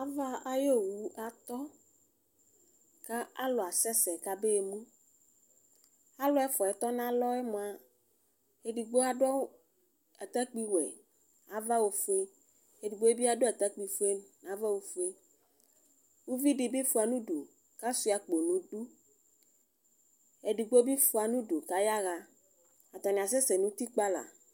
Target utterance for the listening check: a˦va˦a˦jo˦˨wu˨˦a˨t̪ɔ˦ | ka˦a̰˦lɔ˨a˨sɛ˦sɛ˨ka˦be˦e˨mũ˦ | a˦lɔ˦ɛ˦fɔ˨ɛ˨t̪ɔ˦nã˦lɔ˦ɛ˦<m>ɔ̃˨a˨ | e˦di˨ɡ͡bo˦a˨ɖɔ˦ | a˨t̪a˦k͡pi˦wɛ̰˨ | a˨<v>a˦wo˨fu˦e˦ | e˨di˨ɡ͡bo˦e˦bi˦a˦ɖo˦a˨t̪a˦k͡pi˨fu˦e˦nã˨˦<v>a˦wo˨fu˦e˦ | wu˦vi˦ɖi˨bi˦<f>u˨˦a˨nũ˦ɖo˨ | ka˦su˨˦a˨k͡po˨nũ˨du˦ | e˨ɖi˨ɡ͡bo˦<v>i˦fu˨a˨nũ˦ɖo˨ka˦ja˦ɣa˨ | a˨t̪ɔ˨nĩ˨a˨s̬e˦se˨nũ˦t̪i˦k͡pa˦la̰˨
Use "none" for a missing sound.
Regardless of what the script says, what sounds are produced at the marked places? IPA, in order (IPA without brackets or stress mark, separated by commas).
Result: m, v, v, f, b